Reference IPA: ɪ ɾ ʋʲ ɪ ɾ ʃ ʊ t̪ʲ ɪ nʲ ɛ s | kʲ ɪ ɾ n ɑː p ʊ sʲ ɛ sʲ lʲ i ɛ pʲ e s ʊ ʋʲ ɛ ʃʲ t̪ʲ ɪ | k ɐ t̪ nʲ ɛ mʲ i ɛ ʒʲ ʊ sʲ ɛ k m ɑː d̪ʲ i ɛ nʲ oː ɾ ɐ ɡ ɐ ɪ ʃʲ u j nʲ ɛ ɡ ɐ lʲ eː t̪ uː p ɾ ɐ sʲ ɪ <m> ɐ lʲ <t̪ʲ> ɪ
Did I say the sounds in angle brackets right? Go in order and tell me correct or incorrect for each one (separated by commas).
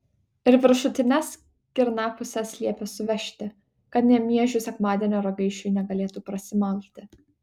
correct, correct